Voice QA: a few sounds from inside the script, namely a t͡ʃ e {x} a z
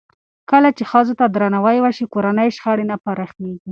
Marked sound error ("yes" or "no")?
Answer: no